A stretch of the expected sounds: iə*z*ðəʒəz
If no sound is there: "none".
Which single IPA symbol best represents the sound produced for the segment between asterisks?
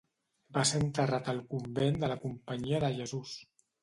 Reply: none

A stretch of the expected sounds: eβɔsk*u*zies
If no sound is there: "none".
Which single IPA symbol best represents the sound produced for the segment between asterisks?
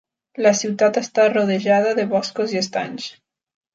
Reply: o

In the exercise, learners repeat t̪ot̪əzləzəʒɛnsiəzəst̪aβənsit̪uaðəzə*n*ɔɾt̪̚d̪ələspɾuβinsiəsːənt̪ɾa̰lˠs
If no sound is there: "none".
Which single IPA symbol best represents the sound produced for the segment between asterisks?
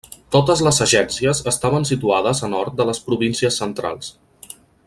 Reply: n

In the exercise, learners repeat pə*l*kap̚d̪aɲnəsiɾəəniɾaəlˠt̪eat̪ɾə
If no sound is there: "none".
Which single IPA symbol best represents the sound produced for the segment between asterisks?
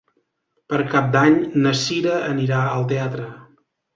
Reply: ɾ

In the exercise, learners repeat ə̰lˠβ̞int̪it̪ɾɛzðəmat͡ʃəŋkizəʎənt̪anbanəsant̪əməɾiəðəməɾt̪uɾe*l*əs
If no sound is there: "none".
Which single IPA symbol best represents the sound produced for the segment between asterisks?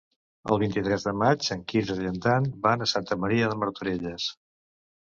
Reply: ʎ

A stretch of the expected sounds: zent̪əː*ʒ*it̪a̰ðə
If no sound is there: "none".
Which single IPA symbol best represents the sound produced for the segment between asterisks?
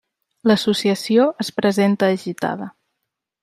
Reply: ʒ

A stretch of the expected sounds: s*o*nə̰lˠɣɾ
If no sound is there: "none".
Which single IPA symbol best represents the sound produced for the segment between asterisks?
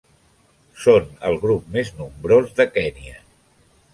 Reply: o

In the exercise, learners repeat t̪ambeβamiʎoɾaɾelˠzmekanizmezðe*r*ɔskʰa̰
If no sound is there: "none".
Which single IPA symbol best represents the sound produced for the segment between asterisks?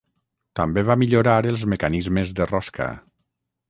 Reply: r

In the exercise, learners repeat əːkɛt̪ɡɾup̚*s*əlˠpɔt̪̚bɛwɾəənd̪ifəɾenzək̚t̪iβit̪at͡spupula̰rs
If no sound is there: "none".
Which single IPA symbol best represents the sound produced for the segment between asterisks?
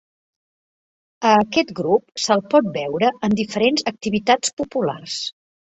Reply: s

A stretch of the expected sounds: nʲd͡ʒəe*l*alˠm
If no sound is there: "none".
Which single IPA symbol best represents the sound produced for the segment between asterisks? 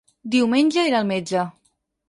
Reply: ɾ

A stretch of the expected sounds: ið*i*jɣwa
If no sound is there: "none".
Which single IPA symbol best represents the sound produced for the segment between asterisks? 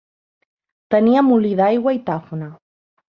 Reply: a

